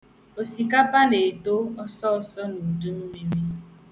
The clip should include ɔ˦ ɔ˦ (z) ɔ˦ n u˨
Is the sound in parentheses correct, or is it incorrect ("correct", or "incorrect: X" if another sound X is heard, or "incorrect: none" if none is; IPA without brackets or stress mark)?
incorrect: s